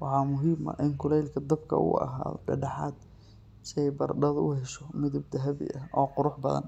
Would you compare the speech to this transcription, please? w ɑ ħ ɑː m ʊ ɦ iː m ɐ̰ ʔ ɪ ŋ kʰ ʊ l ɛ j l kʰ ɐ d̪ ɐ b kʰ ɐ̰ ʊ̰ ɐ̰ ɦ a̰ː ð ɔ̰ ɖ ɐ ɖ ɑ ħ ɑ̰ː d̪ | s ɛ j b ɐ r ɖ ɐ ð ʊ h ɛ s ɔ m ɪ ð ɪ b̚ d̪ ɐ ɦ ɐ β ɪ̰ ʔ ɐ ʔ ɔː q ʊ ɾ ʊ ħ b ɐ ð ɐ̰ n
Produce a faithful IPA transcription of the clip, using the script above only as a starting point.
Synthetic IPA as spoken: w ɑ ħ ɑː m ʊ ɦ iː m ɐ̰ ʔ ɪ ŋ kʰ ʊ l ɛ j l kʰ ɐ d̪ ɐ b kʰ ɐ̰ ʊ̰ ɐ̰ ɦ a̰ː ð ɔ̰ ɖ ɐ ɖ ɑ ħ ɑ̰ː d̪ | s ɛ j b ɐ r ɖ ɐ ð ʊ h ɛ ʃ ɔ m ɪ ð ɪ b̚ d̪ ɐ ɦ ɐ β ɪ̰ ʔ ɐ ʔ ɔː q ʊ ɾ ʊ ħ b ɐ ð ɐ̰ n